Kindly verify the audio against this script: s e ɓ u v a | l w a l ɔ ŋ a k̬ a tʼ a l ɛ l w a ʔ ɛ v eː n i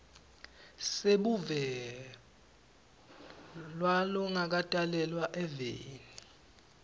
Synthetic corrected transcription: s e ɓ u v ɛ | l w a l ɔ ŋ a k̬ a tʼ a l ɛ l w a ʔ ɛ v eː n i